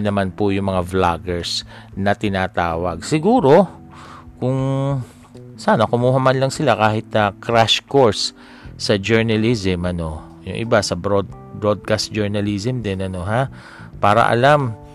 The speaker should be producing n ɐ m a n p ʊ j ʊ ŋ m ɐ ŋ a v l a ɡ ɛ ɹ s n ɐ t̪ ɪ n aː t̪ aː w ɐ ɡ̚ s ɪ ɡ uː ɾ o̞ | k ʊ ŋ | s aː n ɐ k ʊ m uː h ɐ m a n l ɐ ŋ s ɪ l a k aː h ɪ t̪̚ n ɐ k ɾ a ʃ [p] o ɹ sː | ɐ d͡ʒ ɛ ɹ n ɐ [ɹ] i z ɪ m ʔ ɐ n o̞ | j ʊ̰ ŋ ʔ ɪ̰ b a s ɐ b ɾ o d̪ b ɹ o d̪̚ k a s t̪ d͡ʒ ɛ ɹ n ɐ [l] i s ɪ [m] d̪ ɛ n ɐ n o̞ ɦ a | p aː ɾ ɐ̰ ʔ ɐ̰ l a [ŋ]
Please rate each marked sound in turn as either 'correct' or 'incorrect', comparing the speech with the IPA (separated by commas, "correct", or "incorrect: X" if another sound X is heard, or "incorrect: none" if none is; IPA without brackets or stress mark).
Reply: incorrect: k, incorrect: l, correct, correct, incorrect: m